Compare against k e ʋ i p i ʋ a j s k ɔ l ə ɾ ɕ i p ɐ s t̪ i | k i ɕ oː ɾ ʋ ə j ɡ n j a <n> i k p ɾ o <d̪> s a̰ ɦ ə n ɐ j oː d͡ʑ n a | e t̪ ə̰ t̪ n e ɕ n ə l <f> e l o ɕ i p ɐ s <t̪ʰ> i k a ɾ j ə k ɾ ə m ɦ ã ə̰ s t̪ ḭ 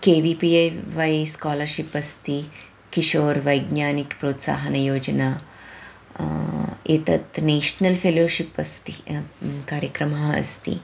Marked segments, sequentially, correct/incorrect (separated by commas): correct, incorrect, correct, incorrect